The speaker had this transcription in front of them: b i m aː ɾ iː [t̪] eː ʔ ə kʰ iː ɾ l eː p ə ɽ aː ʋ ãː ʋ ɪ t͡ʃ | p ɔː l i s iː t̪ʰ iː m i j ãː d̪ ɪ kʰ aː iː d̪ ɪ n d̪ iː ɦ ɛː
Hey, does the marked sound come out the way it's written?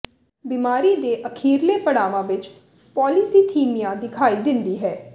no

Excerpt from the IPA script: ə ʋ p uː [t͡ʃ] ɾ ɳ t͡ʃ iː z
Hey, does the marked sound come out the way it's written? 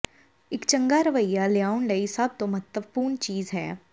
no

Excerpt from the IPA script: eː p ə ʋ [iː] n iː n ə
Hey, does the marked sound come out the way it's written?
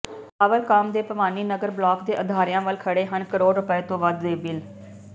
no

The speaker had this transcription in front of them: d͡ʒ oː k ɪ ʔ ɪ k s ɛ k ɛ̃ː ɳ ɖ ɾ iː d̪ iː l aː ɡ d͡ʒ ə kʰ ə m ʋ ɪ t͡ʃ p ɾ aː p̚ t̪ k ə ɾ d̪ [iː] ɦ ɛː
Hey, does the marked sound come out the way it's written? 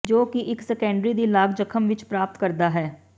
no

